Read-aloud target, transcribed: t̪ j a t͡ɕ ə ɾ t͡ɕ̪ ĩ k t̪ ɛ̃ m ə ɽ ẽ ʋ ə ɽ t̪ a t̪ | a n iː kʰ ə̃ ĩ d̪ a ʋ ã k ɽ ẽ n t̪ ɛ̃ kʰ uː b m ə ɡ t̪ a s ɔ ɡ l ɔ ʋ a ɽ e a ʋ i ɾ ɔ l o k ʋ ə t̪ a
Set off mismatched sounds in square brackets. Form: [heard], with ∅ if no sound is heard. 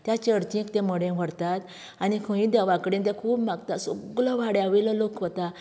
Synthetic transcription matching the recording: t̪ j a t͡ɕ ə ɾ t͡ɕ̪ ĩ k t̪ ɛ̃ m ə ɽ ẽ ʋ ə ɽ t̪ a t̪ | a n [i] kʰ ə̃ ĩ d̪ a ʋ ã k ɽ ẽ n t̪ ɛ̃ kʰ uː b m [a] ɡ t̪ a s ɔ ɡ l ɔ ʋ a ɽ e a ʋ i [l] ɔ l o k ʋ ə t̪ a